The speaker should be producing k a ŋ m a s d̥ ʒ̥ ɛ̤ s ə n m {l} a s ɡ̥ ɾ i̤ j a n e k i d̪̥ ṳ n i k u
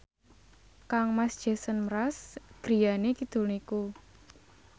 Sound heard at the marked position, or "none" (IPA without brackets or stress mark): ɾ